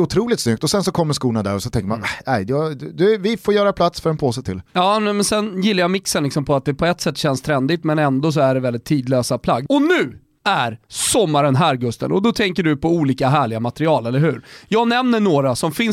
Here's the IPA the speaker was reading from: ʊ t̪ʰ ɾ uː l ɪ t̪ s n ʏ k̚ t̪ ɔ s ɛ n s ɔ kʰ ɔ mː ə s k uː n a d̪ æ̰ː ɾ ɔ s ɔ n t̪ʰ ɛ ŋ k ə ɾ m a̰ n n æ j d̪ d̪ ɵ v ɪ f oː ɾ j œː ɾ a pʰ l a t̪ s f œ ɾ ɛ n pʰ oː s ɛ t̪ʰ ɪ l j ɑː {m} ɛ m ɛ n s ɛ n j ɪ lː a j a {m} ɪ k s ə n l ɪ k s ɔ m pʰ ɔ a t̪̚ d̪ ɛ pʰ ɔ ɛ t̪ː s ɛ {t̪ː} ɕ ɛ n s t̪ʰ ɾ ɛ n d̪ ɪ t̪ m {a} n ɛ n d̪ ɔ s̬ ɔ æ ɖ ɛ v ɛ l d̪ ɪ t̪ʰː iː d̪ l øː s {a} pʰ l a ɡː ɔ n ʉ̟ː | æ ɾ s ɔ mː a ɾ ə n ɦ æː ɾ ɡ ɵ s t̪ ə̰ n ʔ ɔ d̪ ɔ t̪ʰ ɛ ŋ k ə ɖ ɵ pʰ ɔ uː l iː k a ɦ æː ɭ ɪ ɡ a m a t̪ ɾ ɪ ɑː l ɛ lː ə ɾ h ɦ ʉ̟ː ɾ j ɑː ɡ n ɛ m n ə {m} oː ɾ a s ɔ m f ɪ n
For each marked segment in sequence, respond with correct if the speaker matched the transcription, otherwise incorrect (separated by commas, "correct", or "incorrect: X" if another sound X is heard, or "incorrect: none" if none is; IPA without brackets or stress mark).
incorrect: n, correct, correct, incorrect: ɛ, correct, incorrect: ɳ